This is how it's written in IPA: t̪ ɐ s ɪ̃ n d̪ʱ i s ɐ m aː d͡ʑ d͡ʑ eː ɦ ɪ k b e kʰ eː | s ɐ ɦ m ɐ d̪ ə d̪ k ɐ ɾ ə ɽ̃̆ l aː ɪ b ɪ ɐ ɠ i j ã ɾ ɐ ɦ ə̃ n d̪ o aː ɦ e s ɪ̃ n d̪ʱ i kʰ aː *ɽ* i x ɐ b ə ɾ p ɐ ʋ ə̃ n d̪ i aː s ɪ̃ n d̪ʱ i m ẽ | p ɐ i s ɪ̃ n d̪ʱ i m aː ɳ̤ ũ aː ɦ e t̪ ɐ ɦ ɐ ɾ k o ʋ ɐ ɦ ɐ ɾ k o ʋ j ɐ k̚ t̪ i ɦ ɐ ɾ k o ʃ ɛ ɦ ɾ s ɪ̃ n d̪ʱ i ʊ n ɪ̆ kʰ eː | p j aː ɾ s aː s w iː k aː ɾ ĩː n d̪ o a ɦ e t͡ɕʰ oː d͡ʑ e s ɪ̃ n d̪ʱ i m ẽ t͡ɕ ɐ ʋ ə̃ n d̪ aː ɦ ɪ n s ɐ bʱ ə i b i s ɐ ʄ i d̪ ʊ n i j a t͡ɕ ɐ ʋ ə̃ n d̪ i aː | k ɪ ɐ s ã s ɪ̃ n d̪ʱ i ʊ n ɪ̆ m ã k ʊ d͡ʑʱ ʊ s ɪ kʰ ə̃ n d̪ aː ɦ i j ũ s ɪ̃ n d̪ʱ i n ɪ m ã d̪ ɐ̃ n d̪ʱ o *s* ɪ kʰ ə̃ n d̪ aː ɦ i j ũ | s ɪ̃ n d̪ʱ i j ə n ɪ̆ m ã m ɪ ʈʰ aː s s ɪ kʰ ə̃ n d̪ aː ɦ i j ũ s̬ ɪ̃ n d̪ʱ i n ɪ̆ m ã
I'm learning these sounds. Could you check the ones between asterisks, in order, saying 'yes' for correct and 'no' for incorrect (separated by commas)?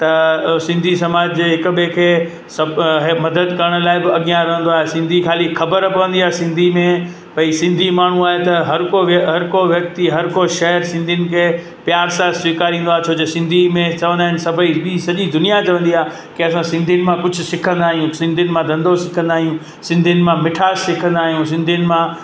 no, yes